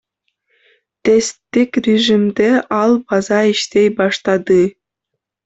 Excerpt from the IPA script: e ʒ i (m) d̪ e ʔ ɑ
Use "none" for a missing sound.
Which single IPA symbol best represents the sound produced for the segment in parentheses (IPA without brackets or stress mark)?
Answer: m